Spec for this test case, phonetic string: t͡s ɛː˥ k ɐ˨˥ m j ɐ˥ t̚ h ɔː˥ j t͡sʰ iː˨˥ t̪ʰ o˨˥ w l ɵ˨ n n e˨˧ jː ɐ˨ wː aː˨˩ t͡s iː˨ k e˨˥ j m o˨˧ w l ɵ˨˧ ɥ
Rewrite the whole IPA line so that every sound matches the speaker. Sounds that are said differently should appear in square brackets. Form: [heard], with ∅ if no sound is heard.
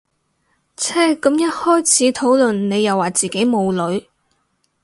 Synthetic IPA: [t͡sʰ] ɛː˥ k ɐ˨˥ m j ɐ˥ t̚ h ɔː˥ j t͡sʰ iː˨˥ t̪ʰ o˨˥ w l ɵ˨ n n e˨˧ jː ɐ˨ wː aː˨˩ t͡s iː˨ k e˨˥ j m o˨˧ w l ɵ˨˧ ɥ